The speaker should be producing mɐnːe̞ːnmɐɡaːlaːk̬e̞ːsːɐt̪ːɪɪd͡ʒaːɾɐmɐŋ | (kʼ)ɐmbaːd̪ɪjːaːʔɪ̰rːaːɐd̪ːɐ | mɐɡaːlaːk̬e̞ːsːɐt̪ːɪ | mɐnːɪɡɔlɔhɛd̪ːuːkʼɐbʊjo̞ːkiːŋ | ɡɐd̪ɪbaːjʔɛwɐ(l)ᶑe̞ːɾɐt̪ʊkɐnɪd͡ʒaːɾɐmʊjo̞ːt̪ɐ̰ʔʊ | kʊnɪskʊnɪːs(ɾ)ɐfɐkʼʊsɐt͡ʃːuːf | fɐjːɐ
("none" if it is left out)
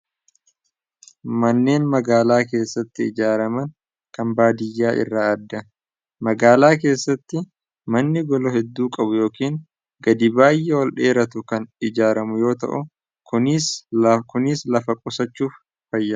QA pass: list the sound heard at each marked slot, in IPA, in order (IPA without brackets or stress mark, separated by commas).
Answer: k, l, l